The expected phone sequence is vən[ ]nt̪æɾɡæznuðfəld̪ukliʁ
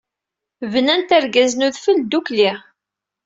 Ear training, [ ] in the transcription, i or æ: æ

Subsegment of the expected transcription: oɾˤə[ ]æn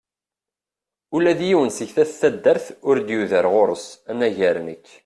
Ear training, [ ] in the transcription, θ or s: s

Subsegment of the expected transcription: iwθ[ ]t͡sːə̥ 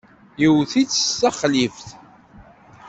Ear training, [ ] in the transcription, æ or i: i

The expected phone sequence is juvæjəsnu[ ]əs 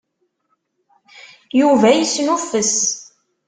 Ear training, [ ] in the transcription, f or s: f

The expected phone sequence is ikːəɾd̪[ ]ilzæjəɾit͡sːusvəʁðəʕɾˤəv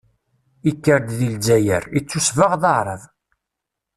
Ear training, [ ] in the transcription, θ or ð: ð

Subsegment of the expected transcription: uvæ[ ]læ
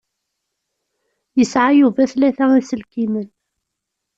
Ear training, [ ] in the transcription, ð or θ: θ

